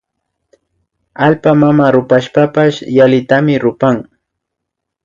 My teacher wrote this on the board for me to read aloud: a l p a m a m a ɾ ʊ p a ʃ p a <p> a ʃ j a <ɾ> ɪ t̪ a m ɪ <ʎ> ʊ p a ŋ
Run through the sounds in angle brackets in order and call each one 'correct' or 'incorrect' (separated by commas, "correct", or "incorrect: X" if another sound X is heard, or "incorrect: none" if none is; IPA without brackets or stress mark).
correct, incorrect: l, incorrect: ɾ